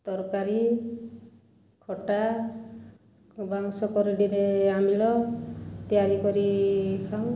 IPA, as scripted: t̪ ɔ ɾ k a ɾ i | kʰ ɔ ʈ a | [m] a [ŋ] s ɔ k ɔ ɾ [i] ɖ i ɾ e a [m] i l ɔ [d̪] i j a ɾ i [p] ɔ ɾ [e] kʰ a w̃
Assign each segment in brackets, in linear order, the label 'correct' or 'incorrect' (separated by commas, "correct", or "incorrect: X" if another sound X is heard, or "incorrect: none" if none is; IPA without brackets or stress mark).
incorrect: b, correct, correct, correct, incorrect: t̪, incorrect: k, incorrect: i